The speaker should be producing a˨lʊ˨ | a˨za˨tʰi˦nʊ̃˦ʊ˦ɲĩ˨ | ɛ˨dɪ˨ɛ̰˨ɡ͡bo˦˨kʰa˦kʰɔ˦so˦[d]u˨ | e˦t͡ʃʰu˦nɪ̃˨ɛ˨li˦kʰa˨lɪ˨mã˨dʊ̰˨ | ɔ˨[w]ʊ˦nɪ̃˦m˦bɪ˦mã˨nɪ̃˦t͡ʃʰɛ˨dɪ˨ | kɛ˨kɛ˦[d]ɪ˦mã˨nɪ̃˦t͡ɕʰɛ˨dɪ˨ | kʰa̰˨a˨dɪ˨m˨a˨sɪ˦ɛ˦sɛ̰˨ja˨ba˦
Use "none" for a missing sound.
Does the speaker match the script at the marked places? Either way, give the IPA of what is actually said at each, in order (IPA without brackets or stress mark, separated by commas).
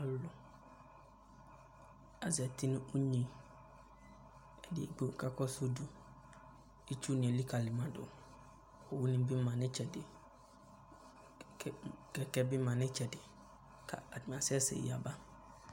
d, w, b